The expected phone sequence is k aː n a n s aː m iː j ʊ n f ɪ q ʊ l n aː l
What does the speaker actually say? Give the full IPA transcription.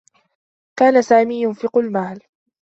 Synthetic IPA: k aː n a s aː m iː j ʊ n f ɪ q ʊ l m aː l

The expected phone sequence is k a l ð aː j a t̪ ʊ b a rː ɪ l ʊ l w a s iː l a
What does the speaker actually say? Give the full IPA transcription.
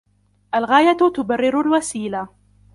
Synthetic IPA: ʔ a l ɣ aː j a t̪ ʊ b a rː ɪ ɾ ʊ l w a s iː l a

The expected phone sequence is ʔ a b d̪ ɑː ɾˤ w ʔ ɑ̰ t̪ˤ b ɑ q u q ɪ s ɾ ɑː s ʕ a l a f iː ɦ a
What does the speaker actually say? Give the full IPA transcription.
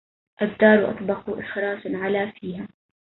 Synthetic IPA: ʔ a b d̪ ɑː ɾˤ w ʔ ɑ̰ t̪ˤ b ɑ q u ʔ ɪ x ɾ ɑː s ʕ a l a f iː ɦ a

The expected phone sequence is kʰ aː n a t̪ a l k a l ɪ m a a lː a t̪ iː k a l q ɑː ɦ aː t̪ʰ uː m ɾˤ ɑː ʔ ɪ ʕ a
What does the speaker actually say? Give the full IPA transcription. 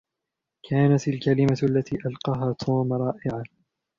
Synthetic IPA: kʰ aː n a t̪ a l k a l ɪ m a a lː a t̪ iː ʔ a l q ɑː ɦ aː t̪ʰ uː m ɾˤ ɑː ʔ ɪ ʕ a

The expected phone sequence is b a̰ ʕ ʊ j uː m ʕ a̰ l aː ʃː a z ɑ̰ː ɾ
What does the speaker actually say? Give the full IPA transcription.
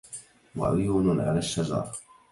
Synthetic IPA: w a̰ ʕ ʊ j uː n ʕ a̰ l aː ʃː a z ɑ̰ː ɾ

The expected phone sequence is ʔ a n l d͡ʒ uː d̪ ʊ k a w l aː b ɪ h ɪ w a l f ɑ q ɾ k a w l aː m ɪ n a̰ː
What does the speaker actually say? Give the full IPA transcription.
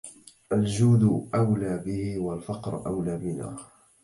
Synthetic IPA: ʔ a l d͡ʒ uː d̪ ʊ ʔ a w l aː b ɪ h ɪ w a l f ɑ q ɾ ʔ a w l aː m ɪ n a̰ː

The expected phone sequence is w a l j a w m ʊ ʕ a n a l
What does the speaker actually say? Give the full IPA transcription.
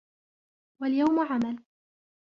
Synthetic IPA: w a l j a w m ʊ ʕ a m a l

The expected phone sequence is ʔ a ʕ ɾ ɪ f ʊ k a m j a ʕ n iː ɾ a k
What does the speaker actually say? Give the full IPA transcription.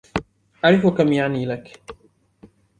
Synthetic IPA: ʔ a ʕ ɾ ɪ f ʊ k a m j a ʕ n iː l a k

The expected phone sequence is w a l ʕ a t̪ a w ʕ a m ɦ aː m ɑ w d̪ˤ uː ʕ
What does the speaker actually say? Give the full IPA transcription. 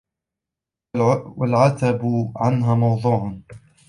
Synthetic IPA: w a l ʕ a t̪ a b ʕ a n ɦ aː m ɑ w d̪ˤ uː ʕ

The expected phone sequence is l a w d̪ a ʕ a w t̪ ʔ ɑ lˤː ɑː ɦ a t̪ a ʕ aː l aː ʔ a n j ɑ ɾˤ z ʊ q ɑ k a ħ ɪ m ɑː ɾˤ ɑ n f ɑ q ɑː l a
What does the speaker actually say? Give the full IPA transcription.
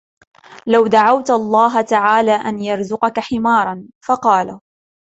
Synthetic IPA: l a w d̪ a ʕ a w t̪ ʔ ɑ lˤː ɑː ɦ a t̪ a ʕ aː l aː ʔ a n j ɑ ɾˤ z ʊ q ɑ k a ħ ɪ m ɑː ɾˤ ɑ n f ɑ q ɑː l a

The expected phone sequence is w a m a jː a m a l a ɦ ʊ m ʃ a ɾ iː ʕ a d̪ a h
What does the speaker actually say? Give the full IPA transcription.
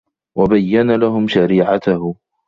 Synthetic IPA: w a b a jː a n a l a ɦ ʊ m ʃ a ɾ iː ʕ a t̪ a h

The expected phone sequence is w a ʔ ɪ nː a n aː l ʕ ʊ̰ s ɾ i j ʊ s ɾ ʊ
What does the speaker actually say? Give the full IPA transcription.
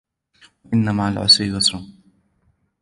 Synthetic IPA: w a ʔ ɪ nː a m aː l ʕ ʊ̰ s ɾ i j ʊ s ɾ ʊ

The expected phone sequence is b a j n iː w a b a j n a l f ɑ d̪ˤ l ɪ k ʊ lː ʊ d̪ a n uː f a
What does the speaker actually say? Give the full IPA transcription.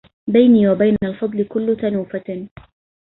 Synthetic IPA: b a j n iː w a b a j n a l f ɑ d̪ˤ l ɪ k ʊ lː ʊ t̪ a n uː f a

